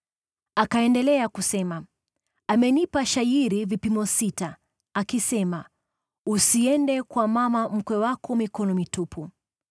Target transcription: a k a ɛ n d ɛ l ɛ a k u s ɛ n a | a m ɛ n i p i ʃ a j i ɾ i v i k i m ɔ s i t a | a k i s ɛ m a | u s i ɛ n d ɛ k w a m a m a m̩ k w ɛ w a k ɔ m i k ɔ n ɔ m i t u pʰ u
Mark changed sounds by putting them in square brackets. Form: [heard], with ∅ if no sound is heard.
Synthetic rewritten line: a k a ɛ n d ɛ l ɛ a k u s ɛ [m] a | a m ɛ n i p [a] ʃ a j i ɾ i v i [p] i m ɔ s i t a | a k i s ɛ m a | u s i ɛ n d ɛ k w a m a m a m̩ k w ɛ w a k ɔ m i k ɔ n ɔ m i t u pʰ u